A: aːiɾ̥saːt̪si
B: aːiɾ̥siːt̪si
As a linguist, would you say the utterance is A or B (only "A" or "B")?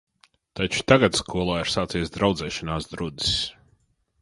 A